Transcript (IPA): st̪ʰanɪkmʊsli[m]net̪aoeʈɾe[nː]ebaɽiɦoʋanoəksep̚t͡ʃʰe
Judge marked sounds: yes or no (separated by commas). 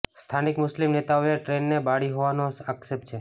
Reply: yes, yes